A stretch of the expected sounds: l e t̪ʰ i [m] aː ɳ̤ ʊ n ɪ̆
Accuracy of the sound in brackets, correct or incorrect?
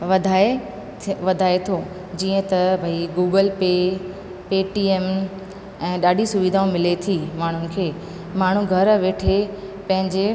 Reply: correct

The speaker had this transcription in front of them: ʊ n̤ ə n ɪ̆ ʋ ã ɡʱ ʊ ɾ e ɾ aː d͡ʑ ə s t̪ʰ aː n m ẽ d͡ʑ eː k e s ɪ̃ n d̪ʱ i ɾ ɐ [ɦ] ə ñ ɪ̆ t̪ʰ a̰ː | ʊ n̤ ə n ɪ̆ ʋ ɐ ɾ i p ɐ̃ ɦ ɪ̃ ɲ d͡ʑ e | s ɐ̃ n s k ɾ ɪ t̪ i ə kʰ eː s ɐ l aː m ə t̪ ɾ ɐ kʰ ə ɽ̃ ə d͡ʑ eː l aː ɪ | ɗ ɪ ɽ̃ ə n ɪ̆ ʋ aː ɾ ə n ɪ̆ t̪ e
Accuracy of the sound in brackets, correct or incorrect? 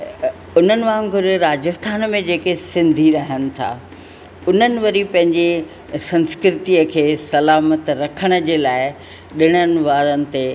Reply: correct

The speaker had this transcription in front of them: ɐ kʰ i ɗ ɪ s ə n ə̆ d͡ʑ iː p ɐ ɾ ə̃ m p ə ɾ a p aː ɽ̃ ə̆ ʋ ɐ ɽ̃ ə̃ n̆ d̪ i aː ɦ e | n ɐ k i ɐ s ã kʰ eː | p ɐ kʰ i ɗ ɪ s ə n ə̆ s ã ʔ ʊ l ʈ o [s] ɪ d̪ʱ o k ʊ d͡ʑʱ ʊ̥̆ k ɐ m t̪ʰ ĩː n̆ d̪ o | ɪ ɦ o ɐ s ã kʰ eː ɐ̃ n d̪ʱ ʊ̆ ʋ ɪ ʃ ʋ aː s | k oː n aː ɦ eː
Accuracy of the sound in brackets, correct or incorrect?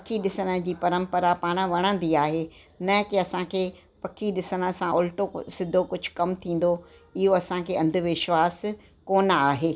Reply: correct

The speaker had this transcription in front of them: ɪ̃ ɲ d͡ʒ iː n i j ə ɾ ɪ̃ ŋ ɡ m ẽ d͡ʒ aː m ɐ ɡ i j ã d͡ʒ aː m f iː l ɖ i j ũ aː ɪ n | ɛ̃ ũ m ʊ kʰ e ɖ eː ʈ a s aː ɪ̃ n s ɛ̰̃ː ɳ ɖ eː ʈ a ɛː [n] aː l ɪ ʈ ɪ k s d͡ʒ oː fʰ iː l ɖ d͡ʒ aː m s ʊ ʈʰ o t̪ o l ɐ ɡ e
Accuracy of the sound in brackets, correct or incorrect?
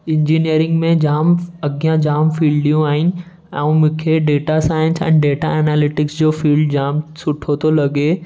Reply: correct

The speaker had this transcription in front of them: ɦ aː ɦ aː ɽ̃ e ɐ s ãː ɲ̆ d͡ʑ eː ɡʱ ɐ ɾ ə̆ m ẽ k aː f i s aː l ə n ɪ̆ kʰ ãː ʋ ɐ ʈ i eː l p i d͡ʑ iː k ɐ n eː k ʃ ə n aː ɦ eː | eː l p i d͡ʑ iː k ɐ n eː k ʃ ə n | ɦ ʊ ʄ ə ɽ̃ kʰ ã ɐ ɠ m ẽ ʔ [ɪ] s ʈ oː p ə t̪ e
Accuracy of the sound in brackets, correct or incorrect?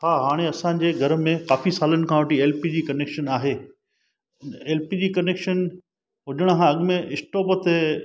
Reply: correct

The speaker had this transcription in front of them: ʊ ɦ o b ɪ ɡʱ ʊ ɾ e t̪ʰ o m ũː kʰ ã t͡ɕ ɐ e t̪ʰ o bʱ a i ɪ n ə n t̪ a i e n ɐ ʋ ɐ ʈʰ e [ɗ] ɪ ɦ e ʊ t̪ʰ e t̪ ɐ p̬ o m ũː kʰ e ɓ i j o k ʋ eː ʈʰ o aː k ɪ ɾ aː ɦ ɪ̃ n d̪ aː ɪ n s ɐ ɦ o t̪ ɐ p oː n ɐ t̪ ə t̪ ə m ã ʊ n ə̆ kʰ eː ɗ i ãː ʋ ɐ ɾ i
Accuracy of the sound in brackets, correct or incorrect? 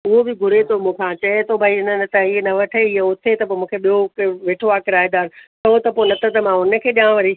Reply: incorrect: none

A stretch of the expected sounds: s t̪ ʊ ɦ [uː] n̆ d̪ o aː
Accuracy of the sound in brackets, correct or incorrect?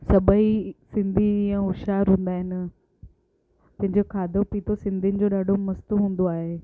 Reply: incorrect: ũː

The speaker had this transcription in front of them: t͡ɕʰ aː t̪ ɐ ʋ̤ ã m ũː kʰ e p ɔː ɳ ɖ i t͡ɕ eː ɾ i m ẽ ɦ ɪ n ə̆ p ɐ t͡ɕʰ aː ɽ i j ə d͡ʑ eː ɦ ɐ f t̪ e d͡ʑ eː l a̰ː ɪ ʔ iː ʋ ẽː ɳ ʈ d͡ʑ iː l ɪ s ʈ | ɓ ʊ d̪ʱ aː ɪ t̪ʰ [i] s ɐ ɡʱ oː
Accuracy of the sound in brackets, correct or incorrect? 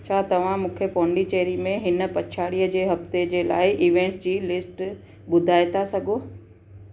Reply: incorrect: a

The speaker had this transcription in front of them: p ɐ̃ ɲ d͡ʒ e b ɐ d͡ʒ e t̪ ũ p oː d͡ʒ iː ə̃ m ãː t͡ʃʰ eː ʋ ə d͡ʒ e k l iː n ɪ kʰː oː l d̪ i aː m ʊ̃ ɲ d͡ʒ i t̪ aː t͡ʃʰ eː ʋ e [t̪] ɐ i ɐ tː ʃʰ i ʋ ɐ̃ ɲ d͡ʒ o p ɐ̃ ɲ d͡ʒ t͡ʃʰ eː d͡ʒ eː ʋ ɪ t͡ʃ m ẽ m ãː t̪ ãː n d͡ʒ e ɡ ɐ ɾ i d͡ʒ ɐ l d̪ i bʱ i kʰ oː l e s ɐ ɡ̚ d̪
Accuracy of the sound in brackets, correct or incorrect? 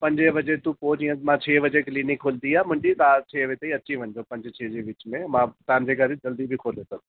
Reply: correct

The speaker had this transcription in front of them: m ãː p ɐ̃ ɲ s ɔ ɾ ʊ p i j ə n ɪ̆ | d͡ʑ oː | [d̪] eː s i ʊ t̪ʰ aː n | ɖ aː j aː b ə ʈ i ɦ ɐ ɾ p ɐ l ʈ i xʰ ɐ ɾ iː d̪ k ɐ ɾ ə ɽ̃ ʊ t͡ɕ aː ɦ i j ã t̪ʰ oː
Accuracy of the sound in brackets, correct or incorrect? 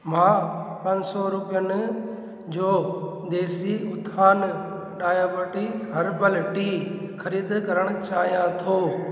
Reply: correct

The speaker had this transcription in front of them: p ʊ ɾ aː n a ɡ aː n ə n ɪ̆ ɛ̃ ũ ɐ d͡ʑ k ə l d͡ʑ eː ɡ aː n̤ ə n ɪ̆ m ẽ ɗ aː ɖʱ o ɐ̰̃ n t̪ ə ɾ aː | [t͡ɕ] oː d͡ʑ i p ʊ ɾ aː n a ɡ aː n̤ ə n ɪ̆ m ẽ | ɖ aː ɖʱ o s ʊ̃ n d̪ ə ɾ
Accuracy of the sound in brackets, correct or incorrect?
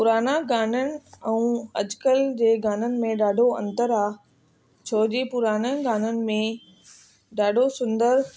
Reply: incorrect: t͡ɕʰ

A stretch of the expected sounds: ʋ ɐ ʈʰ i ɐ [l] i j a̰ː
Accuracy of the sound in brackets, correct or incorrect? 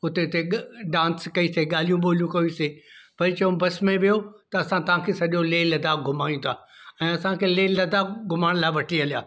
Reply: correct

